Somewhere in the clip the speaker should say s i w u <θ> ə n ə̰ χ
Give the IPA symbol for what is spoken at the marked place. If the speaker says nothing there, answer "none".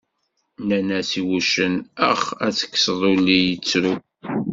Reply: ʃ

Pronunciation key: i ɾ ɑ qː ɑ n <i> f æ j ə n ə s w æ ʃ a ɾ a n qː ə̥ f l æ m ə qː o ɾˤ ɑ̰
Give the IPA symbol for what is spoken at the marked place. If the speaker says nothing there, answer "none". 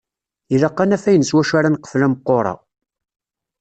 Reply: æ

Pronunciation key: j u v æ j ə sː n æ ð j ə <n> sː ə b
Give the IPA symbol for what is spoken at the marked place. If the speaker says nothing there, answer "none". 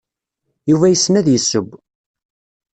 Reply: none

